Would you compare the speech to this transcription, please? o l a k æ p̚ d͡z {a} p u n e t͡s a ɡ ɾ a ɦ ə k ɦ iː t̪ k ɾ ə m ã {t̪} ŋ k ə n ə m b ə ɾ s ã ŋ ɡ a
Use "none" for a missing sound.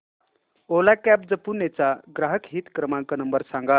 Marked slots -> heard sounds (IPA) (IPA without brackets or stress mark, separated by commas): ə, none